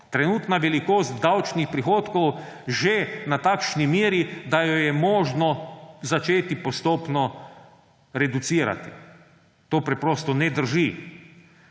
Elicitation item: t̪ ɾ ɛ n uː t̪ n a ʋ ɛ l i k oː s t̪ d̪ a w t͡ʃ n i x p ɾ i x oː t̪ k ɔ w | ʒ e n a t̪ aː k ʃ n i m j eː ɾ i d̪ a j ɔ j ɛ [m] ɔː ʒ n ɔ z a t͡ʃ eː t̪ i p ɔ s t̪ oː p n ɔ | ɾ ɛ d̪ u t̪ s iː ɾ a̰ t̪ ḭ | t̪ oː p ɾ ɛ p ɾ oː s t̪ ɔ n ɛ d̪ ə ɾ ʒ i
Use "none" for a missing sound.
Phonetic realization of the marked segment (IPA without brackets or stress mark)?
m